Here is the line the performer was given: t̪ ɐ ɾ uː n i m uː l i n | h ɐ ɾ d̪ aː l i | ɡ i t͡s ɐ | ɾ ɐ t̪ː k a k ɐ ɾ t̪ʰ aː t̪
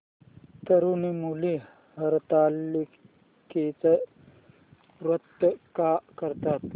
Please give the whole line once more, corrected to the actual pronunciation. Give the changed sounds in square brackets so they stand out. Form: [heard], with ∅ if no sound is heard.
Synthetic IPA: t̪ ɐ ɾ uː n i m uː l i [∅] | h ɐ ɾ [t̪] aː l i | [k] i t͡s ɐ | ɾ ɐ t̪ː k a k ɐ ɾ [t̪] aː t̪